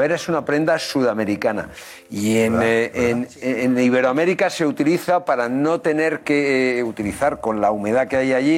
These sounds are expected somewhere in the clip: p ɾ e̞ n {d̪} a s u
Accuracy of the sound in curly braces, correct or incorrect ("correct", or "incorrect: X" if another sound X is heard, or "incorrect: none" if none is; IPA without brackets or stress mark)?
correct